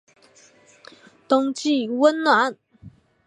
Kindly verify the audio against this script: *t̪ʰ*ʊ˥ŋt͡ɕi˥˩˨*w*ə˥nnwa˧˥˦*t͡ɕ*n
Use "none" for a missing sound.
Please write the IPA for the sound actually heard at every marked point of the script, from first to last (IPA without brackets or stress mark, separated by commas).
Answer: t̪, w, none